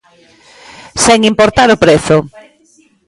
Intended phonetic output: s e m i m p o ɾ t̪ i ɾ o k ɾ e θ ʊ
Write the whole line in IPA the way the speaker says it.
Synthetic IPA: s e ŋ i m p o ɾ t̪ a ɾ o p ɾ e θ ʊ